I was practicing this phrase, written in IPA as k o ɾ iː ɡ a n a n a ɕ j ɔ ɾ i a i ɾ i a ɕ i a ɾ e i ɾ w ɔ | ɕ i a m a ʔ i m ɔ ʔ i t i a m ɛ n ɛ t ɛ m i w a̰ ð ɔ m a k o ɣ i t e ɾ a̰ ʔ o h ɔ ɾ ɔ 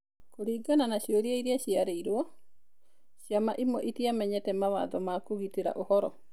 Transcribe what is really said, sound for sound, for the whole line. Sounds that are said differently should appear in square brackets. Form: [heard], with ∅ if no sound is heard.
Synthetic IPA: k o ɾ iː ɡ a n a n a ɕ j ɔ ɾ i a i ɾ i a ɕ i a ɾ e i ɾ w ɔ | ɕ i a m a ʔ i m ɔ ʔ i t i a m ɛ [ɲ] ɛ t ɛ m [a] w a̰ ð ɔ m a k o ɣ i t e ɾ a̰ ʔ o h ɔ ɾ ɔ